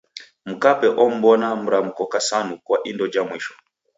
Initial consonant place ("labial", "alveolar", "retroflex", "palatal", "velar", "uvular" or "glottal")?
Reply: labial